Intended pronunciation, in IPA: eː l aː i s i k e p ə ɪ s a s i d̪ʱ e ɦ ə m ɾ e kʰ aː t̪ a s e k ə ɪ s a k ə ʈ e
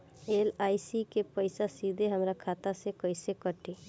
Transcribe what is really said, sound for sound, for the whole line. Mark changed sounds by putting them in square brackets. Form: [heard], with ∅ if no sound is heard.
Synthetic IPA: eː l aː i s i k e p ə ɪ s a s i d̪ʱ e ɦ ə m ɾ [a] kʰ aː t̪ a s e k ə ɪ s [e] k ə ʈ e